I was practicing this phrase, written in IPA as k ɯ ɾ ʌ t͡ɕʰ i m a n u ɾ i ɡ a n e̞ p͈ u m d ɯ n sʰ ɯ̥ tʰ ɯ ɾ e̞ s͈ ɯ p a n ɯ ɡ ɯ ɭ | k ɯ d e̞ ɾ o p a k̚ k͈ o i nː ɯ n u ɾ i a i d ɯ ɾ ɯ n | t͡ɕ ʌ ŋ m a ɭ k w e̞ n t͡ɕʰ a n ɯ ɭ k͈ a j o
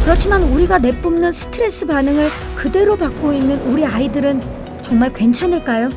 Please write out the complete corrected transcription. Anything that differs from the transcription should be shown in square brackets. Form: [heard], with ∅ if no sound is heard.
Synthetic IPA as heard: k ɯ ɾ ʌ t͡ɕʰ i m a n u ɾ i ɡ a n e̞ p͈ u m [n] ɯ n sʰ ɯ̥ tʰ ɯ ɾ e̞ s͈ ɯ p a n ɯ [ŋ] ɯ ɭ | k ɯ d e̞ ɾ o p a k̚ k͈ o i nː ɯ n u ɾ i a i d ɯ ɾ ɯ n | t͡ɕ ʌ ŋ m a ɭ k w e̞ n t͡ɕʰ a n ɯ ɭ k͈ a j o